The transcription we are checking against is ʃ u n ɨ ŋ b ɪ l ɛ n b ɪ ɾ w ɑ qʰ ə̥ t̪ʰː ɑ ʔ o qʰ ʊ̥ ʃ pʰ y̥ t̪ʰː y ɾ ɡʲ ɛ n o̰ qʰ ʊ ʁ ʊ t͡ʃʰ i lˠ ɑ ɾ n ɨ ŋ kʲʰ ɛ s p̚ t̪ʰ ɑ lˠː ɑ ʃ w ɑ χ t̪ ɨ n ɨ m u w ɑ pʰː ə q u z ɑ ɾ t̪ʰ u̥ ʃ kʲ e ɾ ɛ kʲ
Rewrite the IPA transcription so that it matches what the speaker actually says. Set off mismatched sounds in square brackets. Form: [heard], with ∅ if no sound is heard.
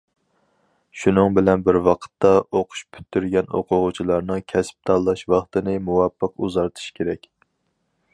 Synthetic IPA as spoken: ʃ u n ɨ ŋ b ɪ l ɛ n b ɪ ɾ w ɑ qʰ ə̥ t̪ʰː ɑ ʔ o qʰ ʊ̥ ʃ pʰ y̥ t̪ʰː y ɾ ɡʲ ɛ n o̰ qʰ ʊ ʁ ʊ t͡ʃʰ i lˠ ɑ ɾ n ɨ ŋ kʲʰ ɛ s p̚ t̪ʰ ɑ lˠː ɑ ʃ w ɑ χ t̪ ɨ n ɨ m u w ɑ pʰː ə q u z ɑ ɾ t̪ʰ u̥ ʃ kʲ e ɾ ɛ kʲ

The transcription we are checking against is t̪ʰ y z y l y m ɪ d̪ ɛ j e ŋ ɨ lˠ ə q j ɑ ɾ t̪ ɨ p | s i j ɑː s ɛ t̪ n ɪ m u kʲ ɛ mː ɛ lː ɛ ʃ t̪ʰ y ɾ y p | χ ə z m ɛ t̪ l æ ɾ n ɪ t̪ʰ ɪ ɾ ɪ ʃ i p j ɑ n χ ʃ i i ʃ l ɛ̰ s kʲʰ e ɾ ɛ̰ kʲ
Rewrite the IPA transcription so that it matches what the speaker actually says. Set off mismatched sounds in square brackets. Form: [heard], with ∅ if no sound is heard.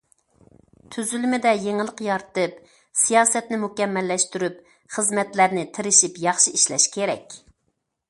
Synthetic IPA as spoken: t̪ʰ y z y l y m ɪ d̪ ɛ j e ŋ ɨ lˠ ə q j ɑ ɾ t̪ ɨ p | s i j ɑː s ɛ t̪ n ɪ m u kʲ ɛ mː ɛ lː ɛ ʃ [t̪] y ɾ y p | χ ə z m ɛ t̪ l æ ɾ n ɪ t̪ʰ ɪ ɾ ɪ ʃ i p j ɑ [∅] χ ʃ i i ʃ l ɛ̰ [ʃ] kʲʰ e ɾ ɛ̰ kʲ

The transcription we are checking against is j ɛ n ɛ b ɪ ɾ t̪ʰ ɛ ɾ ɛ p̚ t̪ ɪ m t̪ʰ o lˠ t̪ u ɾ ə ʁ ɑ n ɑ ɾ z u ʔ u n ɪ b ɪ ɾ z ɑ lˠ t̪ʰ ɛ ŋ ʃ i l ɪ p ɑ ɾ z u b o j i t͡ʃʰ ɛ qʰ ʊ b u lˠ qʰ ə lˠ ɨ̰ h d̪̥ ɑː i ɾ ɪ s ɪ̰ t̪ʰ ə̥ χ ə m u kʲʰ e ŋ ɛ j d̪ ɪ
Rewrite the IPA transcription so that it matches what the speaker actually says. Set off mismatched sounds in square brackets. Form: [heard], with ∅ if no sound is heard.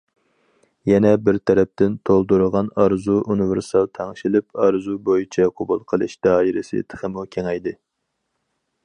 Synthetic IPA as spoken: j ɛ n ɛ b ɪ ɾ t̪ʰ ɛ ɾ ɛ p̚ t̪ ɪ [n] t̪ʰ o lˠ [d̪] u ɾ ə ʁ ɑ n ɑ ɾ z u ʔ u n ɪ [v] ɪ ɾ [s] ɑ lˠ t̪ʰ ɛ ŋ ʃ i l ɪ p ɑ ɾ z u b o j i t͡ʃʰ ɛ qʰ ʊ b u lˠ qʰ ə lˠ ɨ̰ [ʃ] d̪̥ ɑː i ɾ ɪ s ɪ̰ t̪ʰ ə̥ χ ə m u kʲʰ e ŋ ɛ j d̪ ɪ

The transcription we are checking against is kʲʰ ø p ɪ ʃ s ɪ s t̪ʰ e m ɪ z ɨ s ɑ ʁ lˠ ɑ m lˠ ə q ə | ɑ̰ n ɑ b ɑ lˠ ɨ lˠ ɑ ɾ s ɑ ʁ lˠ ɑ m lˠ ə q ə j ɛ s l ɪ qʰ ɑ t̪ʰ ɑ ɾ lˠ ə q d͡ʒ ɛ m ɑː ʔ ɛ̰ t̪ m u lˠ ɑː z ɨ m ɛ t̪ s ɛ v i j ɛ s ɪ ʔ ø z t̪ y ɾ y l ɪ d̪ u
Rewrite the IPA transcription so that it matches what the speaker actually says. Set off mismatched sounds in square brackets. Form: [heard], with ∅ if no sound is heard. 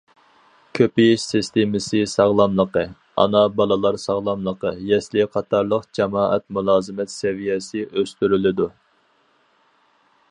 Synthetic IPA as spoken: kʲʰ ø p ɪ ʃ s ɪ s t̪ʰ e m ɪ [s] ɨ s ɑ ʁ lˠ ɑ m lˠ ə q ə | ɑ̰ n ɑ b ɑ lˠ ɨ lˠ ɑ ɾ s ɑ ʁ lˠ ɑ m lˠ ə q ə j ɛ s l ɪ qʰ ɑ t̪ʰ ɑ ɾ lˠ ə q d͡ʒ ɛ m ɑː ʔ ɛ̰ t̪ m u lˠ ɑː z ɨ m ɛ t̪ s ɛ v i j ɛ s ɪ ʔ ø [s] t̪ y ɾ y l ɪ d̪ u

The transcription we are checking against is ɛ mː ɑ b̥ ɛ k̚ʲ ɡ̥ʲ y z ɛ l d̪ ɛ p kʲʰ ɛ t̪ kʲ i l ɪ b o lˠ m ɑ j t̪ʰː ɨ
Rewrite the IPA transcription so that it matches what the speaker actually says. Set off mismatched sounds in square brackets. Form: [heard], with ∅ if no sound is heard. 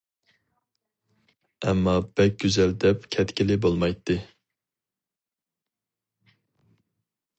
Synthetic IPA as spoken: ɛ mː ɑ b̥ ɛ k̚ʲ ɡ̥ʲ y z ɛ l d̪ ɛ p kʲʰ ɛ t̪ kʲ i l ɪ b o lˠ m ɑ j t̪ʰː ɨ

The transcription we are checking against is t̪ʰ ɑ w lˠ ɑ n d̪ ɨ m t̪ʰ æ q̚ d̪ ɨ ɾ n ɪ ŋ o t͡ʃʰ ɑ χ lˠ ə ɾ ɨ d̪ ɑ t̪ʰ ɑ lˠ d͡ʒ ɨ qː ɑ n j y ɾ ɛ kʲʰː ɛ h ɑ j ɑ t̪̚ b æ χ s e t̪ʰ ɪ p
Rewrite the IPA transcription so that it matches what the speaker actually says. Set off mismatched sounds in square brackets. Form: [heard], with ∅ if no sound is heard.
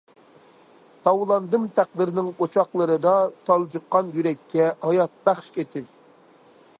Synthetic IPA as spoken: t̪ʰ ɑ w lˠ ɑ n d̪ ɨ m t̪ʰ æ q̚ d̪ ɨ ɾ n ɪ ŋ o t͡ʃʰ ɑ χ lˠ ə ɾ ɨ d̪ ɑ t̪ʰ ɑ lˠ d͡ʒ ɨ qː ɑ n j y ɾ ɛ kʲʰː ɛ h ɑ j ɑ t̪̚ b æ χ [ʃ] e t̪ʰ ɪ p

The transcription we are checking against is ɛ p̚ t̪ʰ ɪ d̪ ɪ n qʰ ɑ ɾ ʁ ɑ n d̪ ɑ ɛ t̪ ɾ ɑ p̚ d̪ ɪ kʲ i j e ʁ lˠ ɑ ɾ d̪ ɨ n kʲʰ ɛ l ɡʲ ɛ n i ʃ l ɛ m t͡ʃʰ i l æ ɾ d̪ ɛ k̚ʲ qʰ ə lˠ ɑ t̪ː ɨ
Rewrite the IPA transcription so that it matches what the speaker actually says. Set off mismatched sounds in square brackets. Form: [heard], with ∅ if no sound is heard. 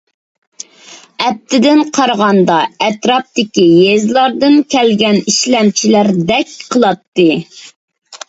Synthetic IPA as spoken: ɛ p̚ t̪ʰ ɪ d̪ ɪ n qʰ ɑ ɾ ʁ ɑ n d̪ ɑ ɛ t̪ ɾ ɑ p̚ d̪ ɪ kʲ i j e [z] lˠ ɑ ɾ d̪ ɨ n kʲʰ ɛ l ɡʲ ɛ n i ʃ l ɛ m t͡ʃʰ i l æ ɾ d̪ ɛ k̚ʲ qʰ ə lˠ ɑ t̪ː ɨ

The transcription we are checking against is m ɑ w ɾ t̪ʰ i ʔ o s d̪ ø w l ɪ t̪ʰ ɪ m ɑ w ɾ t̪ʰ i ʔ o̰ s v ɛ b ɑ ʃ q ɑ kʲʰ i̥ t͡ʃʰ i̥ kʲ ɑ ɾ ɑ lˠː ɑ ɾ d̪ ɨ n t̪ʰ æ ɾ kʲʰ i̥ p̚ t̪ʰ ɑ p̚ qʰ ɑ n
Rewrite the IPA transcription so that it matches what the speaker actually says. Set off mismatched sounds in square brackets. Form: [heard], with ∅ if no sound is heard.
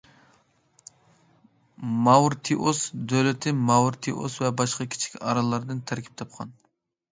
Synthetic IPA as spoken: m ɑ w ɾ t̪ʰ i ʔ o s d̪ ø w l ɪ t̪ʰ ɪ m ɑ w ɾ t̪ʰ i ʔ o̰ s v ɛ b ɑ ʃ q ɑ kʲʰ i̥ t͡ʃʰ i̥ kʲ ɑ ɾ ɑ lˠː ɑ ɾ d̪ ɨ n t̪ʰ æ ɾ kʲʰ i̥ p̚ t̪ʰ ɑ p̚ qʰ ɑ n

